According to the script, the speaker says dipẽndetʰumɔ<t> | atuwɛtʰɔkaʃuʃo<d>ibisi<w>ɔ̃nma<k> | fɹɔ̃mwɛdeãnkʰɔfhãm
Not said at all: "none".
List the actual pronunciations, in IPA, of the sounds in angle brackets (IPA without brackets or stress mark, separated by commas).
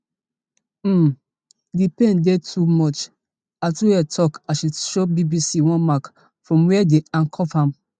t͡ʃ, b, w, k